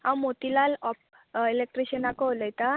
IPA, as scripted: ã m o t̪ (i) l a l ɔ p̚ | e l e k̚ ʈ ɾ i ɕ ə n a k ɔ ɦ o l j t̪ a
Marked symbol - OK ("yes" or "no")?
yes